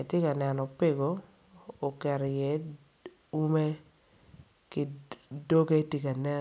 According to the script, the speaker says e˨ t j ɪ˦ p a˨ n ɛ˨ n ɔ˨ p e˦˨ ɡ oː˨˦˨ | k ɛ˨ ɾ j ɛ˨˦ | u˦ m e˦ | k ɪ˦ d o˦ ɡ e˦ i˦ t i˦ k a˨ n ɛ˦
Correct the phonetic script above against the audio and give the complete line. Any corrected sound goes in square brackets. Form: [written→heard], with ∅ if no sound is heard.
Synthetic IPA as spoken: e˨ t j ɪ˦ [p→k] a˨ n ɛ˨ n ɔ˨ p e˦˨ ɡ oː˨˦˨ | k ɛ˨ ɾ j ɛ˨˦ | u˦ m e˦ | k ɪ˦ d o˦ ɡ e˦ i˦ t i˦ k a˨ n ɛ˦